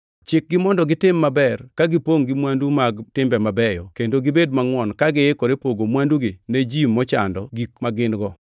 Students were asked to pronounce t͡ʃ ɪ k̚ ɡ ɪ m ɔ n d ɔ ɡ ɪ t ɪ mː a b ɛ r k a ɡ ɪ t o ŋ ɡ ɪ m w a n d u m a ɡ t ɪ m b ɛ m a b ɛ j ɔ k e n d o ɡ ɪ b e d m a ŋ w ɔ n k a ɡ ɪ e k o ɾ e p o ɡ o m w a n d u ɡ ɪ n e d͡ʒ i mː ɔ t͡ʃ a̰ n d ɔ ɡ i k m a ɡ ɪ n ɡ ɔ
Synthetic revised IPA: t͡ʃ ɪ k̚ ɡ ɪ m ɔ n d ɔ ɡ ɪ t ɪ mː a b ɛ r k a ɡ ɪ p o ŋ ɡ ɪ m w a n d u m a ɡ t ɪ m b ɛ m a b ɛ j ɔ k e n d o ɡ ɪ b e d m a ŋ w ɔ n k a ɡ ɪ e k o ɾ e p o ɡ o m w a n d u ɡ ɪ n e d͡ʒ i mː ɔ t͡ʃ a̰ n d ɔ ɡ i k m a ɡ ɪ n ɡ ɔ